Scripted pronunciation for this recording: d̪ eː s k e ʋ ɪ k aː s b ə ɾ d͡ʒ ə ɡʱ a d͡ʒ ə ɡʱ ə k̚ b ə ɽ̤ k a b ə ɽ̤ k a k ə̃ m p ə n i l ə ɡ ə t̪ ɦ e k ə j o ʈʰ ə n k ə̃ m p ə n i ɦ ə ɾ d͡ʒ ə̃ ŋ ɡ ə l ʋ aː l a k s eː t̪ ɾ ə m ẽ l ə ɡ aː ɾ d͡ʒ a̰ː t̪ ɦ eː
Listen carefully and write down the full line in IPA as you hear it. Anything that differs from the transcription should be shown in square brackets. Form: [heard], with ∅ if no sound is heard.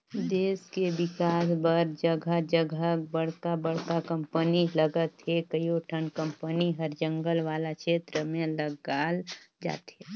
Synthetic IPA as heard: d̪ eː s k e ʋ ɪ k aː s b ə ɾ d͡ʒ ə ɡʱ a d͡ʒ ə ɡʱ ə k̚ b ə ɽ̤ k a b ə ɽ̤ k a k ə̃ m p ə n i l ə ɡ ə t̪ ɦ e k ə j o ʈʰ ə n k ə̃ m p ə n i ɦ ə ɾ d͡ʒ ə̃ ŋ ɡ ə l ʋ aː l a k [ʃ] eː t̪ ɾ ə m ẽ l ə ɡ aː [l] d͡ʒ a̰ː t̪ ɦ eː